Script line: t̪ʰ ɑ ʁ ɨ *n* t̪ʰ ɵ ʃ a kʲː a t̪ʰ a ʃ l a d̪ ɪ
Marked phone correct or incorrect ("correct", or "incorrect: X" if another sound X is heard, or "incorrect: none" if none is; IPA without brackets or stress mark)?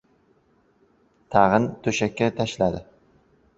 correct